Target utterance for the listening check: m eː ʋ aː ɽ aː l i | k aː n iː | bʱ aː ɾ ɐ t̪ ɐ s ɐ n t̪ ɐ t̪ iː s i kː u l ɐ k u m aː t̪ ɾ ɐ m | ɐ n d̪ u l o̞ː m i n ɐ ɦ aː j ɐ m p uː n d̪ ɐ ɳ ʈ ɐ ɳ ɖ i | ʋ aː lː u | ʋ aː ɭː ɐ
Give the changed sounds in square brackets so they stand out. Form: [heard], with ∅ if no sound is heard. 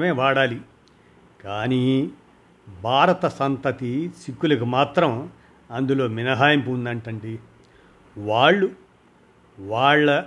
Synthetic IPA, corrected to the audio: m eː ʋ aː ɽ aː l i | k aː n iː | bʱ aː ɾ ɐ t̪ ɐ s ɐ n t̪ ɐ t̪ [i] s i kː u l ɐ k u m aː t̪ ɾ ɐ m | ɐ n d̪ u l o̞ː m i n ɐ ɦ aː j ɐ m p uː n d̪ ɐ ɳ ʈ ɐ ɳ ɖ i | ʋ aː [ɭː] u | ʋ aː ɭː ɐ